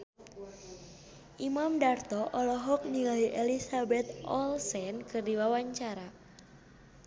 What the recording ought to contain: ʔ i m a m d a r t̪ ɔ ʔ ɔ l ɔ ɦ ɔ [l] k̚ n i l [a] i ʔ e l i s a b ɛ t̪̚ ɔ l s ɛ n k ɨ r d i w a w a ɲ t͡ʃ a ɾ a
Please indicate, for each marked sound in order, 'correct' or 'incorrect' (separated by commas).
incorrect, correct